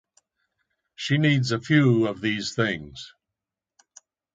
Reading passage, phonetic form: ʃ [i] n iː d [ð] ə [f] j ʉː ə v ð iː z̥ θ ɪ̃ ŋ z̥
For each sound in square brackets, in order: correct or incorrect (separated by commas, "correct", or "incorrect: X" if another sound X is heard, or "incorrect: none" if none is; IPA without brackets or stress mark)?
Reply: correct, incorrect: z, correct